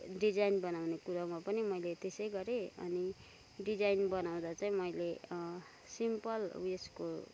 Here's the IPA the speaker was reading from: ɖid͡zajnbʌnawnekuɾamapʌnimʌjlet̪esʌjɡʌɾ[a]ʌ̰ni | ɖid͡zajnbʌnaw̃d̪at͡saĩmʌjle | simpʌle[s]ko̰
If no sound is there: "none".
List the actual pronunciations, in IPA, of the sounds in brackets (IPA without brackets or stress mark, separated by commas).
e, s